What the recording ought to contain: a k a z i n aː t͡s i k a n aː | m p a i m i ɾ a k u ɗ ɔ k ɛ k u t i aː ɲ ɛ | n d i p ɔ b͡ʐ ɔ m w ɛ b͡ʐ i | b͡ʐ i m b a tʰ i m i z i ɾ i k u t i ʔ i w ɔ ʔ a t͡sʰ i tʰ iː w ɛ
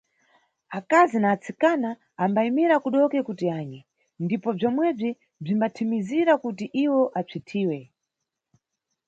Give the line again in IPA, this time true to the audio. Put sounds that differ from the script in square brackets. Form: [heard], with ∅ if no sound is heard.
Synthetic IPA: a k a z i n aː t͡s i k a n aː | m [b] a i m i ɾ a k u ɗ ɔ k ɛ k u t i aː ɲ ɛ | n d i p ɔ b͡ʐ ɔ m w ɛ b͡ʐ i | b͡ʐ i m b a tʰ i m i z i ɾ [a] k u t i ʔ i w ɔ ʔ a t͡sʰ i tʰ iː w ɛ